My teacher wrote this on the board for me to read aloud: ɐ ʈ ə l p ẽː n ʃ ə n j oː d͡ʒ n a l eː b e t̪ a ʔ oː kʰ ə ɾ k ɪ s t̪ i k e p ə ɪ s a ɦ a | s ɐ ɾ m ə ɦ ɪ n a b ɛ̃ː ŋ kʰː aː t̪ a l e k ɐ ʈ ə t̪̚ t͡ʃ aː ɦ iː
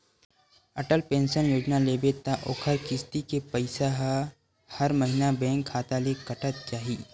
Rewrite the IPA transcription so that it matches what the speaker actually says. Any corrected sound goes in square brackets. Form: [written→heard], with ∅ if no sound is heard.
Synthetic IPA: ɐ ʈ ə l p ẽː n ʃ ə n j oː d͡ʒ n a l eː b e t̪ a ʔ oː kʰ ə ɾ k ɪ s t̪ i k e p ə ɪ s a ɦ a | [s→h] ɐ ɾ m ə ɦ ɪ n a b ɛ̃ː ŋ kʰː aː t̪ a l e k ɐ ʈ ə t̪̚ t͡ʃ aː ɦ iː